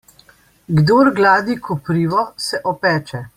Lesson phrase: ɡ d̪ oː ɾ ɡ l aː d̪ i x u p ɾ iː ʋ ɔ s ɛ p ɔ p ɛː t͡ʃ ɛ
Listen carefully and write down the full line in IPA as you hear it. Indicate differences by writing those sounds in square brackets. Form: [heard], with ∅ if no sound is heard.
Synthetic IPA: ɡ d̪ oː ɾ ɡ l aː d̪ i [k] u p ɾ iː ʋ ɔ s ɛ [ʔ] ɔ p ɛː t͡ʃ ɛ